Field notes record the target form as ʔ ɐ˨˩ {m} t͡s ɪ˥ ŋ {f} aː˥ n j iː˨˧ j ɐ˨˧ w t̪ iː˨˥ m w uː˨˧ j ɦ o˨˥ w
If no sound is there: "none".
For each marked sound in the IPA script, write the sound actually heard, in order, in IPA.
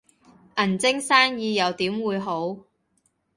n, s

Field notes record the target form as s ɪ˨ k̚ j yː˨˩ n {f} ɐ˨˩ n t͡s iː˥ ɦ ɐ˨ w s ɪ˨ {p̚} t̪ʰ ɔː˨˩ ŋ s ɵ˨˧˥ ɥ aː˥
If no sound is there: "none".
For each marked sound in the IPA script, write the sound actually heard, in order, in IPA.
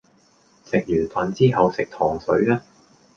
f, k̚

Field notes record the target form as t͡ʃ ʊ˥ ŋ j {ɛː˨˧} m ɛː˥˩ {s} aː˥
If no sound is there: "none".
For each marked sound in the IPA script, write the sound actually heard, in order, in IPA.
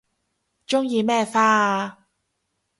iː˨˧, f

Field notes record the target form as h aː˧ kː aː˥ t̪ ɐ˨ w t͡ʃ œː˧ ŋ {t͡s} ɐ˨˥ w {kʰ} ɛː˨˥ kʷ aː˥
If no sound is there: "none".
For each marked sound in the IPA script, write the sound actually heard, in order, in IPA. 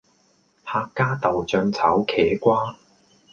t͡sʰ, kʰ

